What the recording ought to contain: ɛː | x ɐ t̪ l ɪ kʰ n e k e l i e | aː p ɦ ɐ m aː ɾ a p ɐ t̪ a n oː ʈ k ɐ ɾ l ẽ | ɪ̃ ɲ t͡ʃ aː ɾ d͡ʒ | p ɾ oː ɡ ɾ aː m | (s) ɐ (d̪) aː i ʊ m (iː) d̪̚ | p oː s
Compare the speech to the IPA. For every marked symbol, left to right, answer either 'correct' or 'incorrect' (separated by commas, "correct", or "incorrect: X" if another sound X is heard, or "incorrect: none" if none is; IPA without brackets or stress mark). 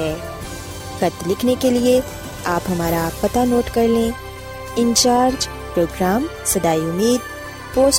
correct, correct, correct